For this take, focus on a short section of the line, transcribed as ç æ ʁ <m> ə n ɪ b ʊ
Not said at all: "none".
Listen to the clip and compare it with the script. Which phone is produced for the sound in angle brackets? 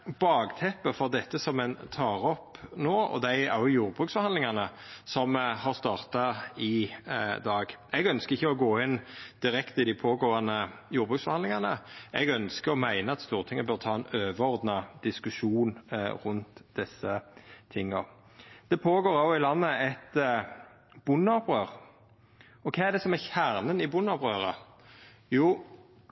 n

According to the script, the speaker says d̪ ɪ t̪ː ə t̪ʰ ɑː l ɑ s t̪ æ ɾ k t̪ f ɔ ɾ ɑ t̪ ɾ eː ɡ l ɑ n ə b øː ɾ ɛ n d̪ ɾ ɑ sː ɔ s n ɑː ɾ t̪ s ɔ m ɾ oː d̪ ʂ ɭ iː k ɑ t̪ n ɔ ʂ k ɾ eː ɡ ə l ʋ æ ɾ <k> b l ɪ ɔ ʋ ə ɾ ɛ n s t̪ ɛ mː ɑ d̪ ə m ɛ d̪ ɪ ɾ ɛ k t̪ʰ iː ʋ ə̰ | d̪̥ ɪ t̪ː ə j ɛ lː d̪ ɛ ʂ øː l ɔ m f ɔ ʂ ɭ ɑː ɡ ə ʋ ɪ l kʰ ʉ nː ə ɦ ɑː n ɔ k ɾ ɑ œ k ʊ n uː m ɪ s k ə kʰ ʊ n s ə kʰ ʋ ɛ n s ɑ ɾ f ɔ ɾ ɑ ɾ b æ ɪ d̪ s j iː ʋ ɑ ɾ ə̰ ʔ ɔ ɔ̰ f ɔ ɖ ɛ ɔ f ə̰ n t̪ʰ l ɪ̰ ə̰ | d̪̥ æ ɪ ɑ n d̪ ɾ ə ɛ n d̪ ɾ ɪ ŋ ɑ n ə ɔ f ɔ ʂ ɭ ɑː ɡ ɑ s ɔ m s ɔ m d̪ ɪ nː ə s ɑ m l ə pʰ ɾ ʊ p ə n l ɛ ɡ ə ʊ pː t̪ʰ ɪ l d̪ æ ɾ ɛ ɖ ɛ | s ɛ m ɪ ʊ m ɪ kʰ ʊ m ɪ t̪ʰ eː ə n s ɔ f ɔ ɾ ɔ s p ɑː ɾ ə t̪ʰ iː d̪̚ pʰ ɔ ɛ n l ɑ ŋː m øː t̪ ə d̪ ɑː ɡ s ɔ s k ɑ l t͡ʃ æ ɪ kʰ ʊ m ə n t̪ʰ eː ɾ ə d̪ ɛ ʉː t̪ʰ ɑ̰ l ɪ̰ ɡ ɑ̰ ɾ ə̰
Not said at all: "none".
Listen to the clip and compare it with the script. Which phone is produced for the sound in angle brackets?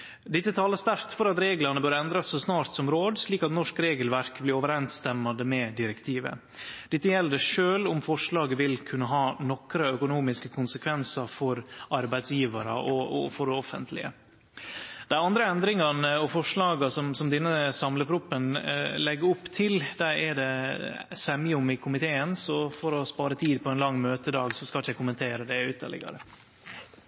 k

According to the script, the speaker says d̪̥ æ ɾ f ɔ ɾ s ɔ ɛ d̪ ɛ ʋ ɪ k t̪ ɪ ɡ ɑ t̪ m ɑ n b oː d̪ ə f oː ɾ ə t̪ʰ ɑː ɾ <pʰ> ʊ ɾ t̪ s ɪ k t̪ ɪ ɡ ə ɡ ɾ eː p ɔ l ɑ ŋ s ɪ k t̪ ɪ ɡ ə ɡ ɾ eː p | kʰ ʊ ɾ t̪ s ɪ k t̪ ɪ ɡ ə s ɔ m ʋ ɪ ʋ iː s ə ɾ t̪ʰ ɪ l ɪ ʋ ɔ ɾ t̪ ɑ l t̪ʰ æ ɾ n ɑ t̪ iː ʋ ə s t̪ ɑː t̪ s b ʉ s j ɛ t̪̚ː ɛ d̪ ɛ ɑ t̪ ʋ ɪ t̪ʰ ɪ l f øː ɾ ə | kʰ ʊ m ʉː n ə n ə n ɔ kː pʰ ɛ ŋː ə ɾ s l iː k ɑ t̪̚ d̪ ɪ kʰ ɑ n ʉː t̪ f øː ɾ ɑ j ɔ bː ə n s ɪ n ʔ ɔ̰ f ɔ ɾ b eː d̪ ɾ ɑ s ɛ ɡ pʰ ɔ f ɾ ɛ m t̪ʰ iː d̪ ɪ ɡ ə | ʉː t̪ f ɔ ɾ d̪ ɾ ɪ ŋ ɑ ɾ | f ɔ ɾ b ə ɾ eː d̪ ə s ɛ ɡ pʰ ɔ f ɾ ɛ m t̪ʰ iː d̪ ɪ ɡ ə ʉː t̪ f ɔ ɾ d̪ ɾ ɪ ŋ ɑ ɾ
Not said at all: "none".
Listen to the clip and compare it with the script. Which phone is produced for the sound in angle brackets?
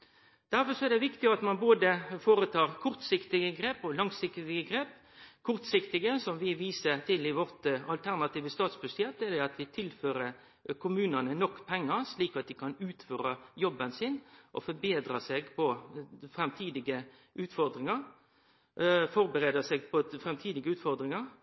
kʰ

